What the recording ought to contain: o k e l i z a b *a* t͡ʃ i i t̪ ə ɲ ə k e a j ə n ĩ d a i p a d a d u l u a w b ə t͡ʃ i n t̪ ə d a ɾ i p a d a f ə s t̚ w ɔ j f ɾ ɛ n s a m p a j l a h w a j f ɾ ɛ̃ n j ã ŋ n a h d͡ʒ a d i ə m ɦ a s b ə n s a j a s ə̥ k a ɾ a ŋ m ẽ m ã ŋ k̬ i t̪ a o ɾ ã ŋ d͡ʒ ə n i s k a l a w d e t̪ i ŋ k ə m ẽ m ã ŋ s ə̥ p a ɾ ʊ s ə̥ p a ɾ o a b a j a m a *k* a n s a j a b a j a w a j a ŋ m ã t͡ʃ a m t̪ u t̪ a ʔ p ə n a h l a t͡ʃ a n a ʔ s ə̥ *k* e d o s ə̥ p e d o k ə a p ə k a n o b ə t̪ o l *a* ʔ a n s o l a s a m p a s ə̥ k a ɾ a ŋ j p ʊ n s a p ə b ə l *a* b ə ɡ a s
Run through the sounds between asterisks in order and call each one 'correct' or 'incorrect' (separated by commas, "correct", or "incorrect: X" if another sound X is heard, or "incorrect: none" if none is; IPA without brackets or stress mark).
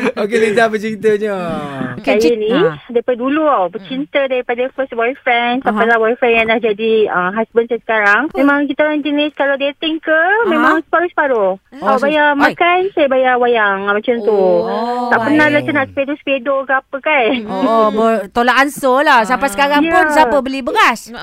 incorrect: ə, correct, incorrect: p, correct, incorrect: i